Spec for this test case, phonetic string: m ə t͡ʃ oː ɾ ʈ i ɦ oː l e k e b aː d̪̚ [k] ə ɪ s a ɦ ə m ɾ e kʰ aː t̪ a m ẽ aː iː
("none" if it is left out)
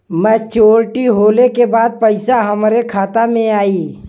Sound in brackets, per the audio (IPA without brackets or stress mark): p